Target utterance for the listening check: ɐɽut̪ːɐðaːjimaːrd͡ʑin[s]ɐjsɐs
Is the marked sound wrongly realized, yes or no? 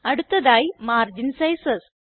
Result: no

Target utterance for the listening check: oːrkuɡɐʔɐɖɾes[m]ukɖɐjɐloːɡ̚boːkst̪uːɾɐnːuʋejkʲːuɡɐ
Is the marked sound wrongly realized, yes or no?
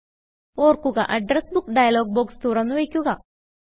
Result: yes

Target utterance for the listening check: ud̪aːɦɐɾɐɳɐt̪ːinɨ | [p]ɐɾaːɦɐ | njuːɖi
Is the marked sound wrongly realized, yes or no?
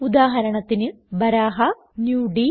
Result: yes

